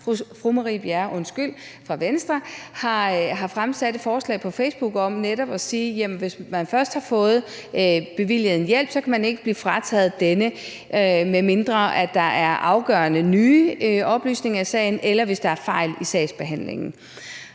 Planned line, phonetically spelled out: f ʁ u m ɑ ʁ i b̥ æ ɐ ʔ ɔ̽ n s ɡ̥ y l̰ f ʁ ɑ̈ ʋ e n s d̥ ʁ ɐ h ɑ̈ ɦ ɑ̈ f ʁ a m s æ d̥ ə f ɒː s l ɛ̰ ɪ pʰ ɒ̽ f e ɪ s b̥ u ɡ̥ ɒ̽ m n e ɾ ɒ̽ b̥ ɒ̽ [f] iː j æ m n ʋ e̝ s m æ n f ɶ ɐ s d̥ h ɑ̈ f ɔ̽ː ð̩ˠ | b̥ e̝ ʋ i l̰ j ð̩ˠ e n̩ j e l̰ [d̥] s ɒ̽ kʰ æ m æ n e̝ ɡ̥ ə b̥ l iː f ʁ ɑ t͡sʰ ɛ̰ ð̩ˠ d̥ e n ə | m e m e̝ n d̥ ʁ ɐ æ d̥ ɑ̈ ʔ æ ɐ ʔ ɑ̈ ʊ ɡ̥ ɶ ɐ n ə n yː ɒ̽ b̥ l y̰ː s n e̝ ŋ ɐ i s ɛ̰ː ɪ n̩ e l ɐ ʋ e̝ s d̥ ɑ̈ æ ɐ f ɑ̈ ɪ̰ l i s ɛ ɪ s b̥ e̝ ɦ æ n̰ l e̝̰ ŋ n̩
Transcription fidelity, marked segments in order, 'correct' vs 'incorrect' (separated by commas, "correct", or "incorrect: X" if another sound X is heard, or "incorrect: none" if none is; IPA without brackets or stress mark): incorrect: s, incorrect: b̥